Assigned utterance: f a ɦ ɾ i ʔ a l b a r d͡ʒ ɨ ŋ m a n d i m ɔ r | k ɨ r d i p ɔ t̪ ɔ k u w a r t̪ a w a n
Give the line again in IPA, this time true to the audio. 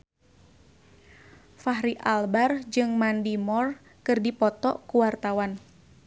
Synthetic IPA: f a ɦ ɾ i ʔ a l b a r d͡ʒ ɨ ŋ m a n d i m ɔ r | k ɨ r d i p ɔ t̪ ɔ k u w a r t̪ a w a n